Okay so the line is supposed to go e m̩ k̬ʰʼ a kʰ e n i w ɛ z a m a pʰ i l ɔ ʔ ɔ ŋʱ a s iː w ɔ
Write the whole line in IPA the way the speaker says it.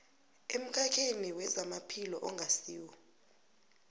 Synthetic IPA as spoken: e m̩ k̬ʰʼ a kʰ e n i w ɛ z a m a pʰ i l ɔ ʔ ɔ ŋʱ a s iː w ɔ

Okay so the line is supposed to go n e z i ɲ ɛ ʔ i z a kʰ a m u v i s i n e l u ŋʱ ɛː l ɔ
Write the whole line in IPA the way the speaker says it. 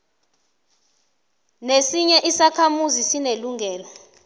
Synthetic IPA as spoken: n e s i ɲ ɛ ʔ i s a kʰ a m u z i s i n e l u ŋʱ ɛː l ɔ

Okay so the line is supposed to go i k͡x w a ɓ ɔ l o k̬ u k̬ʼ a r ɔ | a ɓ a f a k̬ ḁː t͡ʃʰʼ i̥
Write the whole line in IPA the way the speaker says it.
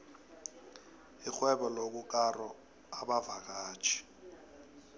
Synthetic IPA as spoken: i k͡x w ɛ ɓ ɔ l o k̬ u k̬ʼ a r ɔ | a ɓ a v a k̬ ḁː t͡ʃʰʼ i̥

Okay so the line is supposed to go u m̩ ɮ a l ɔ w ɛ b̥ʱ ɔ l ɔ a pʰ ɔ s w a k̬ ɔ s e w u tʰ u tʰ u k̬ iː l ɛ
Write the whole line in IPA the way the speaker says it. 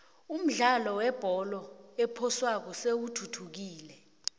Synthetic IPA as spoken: u m̩ ɮ a l ɔ w ɛ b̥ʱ ɔ l ɔ ɛ pʰ ɔ s w a k̬ ɔ s e w u tʰ u tʰ u k̬ iː l ɛ

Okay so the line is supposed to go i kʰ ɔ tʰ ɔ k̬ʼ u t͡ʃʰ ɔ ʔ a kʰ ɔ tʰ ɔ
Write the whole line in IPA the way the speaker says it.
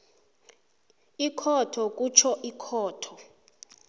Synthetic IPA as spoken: i kʰ ɔ tʰ ɔ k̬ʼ u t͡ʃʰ ɔ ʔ i kʰ ɔː tʰ ɔ

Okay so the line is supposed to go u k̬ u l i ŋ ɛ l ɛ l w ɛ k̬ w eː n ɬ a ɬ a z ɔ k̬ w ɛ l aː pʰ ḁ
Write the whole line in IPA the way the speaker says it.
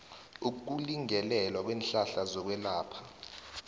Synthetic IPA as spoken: u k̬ u l i ŋ ɛ l ɛ l w a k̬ w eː n ɬ a ɬ a z ɔ k̬ w ɛ l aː pʰ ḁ

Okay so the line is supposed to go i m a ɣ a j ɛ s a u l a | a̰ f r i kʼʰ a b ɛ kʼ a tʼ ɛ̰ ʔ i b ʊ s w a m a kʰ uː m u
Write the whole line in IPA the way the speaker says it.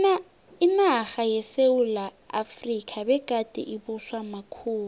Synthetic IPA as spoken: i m a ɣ a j ɛ s e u l a | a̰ f r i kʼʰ a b ɛ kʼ a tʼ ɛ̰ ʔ i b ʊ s w a m a kʰ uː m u

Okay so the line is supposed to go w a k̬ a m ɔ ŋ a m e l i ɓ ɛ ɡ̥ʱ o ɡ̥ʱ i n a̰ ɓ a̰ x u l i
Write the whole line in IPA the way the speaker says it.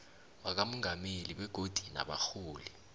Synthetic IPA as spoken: w a k̬ a m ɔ ŋ a m e l i ɓ ɛ ɡ̥ʱ o d̥ʱ i n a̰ ɓ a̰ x uː l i

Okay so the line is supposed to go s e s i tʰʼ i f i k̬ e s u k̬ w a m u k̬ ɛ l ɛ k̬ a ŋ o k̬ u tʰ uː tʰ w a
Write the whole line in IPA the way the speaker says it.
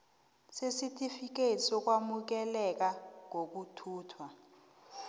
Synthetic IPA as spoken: s e s i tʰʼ i f i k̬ e s ɔ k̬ w a m u k̬ ɛ l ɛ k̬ a ŋ o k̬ u tʰ uː tʰ w a

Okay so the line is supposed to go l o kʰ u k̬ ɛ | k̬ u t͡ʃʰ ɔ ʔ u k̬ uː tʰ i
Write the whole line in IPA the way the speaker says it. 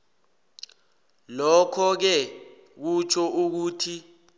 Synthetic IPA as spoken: l ɔ kʰ ɔ k̬ ɛ | k̬ u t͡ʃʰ ɔ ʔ u k̬ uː tʰ i

